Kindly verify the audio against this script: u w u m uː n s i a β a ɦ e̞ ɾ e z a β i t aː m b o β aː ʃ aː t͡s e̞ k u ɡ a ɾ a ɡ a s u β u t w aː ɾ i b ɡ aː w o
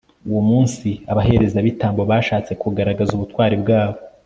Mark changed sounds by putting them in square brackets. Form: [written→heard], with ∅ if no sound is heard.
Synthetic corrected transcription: u w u m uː n s i a β a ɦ e̞ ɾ e z a β i t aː m b o β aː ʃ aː t͡s e̞ k u ɡ a ɾ a ɡ a [s→z] u β u t w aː ɾ i b ɡ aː [w→β] o